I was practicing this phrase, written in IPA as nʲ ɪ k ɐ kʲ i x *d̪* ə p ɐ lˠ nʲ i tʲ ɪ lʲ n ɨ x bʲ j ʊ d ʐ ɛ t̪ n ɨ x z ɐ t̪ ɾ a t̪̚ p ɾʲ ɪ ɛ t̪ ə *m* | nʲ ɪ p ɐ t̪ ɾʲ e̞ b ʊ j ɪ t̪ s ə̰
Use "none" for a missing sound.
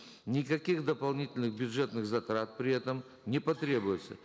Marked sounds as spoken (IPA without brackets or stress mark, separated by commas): d̪, m